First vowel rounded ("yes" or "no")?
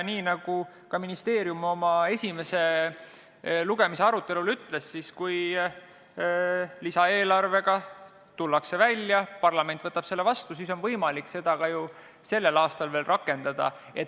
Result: no